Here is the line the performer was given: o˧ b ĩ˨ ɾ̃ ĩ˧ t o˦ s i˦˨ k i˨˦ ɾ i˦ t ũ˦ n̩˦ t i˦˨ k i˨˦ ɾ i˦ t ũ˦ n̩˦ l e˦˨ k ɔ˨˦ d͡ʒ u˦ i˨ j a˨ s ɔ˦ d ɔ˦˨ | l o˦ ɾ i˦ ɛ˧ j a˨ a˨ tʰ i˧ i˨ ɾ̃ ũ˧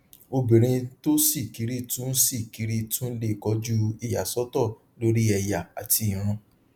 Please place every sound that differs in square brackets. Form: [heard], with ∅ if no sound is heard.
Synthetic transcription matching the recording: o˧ b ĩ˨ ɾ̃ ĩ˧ t o˦ s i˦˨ k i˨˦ ɾ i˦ t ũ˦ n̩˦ [s] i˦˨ k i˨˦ ɾ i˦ t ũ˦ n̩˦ l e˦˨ k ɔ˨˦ d͡ʒ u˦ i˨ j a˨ s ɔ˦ [t] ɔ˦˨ | l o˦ ɾ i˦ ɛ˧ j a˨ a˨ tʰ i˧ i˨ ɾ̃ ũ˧